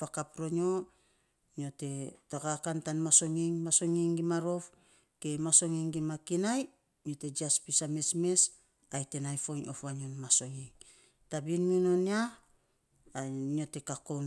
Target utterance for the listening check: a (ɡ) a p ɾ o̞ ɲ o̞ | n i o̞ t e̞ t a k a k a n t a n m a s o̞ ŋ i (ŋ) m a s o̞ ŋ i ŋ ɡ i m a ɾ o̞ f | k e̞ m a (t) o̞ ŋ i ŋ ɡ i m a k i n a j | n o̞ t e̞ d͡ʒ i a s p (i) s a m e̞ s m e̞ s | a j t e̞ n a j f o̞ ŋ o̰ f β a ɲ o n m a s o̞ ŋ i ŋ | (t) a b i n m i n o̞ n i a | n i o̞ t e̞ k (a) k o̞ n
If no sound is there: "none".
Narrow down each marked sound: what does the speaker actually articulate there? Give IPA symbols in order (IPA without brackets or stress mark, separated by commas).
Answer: k, ŋ, s, i, t, a